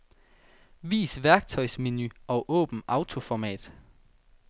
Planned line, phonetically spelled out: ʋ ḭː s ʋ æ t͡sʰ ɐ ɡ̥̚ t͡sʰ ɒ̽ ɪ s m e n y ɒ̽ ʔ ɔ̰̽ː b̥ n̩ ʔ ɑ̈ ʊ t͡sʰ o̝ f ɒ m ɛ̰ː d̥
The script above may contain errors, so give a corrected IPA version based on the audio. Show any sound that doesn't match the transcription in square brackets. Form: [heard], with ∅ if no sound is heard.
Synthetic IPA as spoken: ʋ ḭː s ʋ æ [∅] ɐ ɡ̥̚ t͡sʰ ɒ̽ ɪ s m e n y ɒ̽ ʔ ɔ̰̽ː b̥ n̩ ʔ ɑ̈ ʊ t͡sʰ o̝ f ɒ m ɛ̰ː d̥